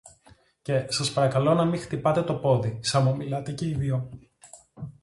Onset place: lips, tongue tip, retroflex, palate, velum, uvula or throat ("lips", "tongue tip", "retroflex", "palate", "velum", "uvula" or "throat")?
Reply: palate